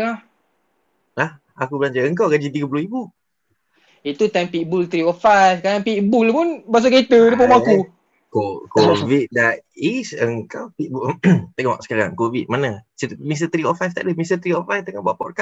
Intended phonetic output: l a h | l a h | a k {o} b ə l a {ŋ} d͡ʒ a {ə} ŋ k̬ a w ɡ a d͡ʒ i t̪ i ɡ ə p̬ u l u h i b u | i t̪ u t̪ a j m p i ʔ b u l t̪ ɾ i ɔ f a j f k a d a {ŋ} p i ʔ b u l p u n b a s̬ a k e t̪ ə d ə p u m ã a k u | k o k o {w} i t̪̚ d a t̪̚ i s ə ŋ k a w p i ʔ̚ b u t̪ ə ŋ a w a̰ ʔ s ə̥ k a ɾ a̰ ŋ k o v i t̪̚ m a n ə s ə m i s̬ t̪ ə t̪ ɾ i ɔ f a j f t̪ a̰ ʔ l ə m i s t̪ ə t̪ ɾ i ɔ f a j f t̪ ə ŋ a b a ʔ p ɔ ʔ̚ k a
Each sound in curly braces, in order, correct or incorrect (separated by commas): incorrect, incorrect, correct, correct, incorrect